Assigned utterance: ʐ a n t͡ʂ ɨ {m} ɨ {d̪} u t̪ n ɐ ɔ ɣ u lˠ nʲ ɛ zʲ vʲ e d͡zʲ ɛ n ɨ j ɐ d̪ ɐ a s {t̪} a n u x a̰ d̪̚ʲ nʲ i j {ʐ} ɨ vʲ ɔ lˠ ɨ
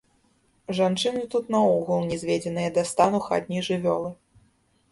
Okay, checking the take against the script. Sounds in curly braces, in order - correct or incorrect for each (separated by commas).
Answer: incorrect, incorrect, correct, correct